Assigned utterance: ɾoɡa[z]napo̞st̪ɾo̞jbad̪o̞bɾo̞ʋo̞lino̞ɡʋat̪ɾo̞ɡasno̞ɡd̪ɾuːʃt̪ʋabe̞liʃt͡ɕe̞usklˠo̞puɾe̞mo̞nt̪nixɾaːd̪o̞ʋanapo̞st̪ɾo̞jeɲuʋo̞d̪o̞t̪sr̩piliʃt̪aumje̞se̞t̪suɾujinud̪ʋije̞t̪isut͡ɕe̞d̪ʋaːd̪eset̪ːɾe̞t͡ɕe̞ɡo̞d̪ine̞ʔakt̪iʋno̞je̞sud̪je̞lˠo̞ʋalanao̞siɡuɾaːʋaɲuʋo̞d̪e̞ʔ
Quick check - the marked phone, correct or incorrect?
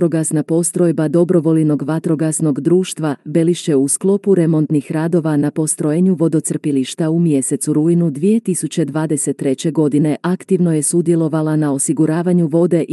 incorrect